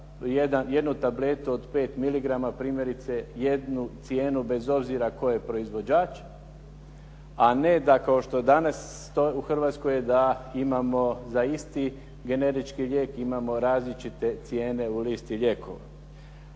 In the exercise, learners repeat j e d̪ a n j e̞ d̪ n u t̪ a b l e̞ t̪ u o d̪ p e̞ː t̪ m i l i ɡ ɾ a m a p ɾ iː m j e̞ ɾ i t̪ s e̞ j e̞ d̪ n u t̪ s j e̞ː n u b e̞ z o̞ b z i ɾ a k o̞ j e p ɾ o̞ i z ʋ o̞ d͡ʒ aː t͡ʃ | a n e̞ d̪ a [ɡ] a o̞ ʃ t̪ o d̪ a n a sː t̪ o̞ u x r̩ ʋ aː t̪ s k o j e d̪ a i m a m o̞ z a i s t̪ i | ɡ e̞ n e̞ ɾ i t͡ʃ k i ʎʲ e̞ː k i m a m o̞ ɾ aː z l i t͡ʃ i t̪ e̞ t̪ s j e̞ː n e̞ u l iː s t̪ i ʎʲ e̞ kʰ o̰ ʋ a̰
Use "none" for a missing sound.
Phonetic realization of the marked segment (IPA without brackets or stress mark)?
k